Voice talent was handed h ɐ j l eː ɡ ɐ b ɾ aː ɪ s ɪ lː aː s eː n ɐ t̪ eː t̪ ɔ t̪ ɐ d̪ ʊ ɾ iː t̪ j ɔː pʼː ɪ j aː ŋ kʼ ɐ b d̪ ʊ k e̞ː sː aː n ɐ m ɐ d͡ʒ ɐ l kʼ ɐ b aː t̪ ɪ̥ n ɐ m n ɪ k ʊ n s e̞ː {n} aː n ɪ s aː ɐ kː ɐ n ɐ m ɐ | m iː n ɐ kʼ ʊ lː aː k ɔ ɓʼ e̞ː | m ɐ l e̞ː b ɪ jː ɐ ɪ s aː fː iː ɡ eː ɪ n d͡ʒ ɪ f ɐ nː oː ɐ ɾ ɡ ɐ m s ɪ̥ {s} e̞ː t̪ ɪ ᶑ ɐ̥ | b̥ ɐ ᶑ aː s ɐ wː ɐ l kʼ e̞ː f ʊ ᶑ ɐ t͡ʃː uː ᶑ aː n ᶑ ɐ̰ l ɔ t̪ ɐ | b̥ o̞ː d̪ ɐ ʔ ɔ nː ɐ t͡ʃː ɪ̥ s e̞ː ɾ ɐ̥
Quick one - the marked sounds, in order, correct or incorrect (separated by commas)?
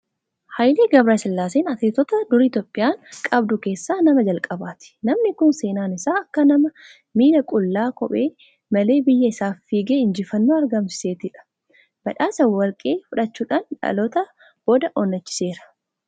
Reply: correct, correct